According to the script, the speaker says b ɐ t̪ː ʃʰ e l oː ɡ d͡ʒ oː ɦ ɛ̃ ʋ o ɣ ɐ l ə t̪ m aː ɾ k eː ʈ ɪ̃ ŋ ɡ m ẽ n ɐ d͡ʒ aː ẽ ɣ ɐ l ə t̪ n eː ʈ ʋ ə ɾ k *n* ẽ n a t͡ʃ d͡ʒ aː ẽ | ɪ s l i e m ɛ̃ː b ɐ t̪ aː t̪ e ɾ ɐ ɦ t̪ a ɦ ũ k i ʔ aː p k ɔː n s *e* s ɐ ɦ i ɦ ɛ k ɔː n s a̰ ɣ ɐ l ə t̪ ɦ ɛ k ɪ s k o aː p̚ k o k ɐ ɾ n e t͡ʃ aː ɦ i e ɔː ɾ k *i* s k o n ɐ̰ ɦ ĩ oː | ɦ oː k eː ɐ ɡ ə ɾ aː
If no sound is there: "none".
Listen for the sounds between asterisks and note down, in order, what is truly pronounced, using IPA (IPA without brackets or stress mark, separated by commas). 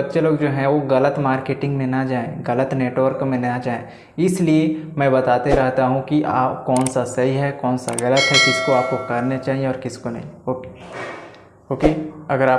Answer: m, a, ɪ